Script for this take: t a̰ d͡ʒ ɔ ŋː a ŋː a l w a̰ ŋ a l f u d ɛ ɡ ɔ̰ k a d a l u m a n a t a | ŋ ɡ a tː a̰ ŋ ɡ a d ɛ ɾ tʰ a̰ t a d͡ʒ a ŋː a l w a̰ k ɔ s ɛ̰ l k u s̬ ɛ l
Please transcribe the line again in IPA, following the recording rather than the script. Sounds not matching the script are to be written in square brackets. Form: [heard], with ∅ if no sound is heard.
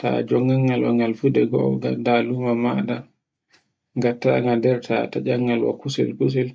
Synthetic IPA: t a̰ d͡ʒ ɔ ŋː a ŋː a l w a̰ ŋ a l f u d ɛ ɡ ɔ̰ [ɡ] a d a l u m a [m] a [d] a | ŋ ɡ a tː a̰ ŋ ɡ a d ɛ ɾ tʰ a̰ t a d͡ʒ a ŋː a l w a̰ k [u] s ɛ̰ l k u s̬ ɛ l